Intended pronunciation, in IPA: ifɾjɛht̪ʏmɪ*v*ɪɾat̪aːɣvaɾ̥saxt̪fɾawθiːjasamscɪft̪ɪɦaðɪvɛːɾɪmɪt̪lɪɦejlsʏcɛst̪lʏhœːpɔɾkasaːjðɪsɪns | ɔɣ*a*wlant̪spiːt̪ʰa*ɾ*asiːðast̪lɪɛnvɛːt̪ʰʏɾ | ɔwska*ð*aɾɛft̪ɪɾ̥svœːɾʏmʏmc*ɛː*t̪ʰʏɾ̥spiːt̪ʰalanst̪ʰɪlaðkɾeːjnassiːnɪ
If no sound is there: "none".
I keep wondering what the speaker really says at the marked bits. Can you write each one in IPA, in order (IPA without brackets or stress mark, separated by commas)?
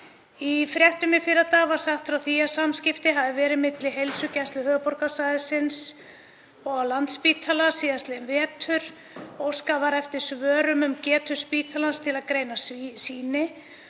f, a, l, v, ɛː